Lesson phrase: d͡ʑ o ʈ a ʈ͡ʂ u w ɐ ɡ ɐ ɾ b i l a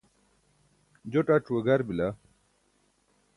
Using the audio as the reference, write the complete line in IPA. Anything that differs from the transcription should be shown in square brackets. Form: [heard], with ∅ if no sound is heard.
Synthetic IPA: d͡ʑ o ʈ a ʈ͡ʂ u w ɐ ɡ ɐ ɾ b i l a